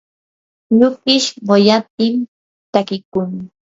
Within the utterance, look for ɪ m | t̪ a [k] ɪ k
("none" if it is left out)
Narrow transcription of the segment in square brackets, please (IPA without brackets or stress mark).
k